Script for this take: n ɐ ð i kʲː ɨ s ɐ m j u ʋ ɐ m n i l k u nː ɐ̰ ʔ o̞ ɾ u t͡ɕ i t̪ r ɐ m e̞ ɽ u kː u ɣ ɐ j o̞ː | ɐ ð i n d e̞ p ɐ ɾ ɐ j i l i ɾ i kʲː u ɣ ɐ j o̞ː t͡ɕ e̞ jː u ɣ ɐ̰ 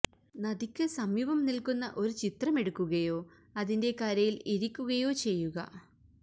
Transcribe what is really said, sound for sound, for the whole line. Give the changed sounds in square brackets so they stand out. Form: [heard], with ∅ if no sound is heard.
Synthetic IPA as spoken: n ɐ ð i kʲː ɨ s ɐ m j u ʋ ɐ m n i l k u nː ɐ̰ ʔ o̞ ɾ u t͡ɕ i t̪ r ɐ m e̞ ɽ u kː u ɣ ɐ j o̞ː | ɐ ð i n d e̞ [k] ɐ ɾ ɐ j i l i ɾ i kʲː u ɣ ɐ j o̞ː t͡ɕ e̞ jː u ɣ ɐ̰